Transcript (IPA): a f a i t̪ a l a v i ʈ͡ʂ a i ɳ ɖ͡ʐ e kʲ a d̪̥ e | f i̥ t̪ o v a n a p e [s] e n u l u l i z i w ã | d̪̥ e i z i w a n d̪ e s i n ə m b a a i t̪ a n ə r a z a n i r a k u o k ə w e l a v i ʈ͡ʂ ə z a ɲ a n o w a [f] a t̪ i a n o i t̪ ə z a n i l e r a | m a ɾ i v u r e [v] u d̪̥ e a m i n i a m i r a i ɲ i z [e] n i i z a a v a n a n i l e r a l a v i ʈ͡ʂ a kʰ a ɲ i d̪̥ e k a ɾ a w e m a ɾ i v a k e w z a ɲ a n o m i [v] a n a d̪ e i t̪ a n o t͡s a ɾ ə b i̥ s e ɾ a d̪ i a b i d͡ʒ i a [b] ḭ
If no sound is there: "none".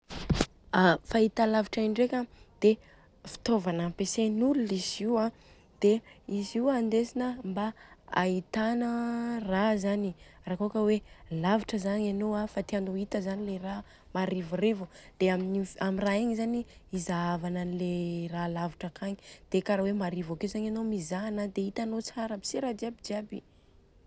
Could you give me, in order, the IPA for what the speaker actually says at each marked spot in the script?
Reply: s, f, v, a, z, b

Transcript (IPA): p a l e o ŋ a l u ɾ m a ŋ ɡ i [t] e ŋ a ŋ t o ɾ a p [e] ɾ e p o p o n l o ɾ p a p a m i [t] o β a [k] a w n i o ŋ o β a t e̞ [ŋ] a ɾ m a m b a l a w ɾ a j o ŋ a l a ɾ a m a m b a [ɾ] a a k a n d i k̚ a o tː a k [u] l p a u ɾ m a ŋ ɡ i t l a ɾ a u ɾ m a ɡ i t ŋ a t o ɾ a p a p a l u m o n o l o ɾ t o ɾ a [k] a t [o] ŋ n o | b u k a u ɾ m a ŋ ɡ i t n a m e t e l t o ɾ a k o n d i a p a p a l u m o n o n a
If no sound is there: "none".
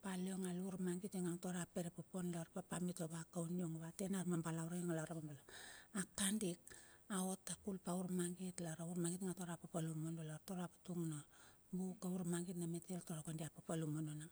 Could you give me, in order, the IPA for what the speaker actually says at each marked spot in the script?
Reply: t, e, t, k, n, l, u, p, u

